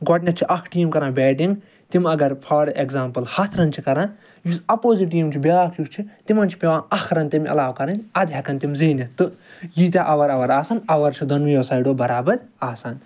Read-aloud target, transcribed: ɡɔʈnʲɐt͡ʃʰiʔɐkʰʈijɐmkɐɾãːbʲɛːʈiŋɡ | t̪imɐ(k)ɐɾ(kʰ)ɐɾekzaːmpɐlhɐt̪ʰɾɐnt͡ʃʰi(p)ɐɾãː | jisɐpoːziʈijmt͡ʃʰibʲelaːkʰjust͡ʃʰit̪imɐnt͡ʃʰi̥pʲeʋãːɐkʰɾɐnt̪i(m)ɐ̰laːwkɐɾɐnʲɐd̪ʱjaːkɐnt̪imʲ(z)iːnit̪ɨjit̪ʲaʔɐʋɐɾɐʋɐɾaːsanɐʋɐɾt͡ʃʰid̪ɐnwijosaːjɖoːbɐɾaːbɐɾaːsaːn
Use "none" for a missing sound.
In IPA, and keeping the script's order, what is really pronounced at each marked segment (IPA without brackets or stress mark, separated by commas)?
ɡ, pʰ, k, m, z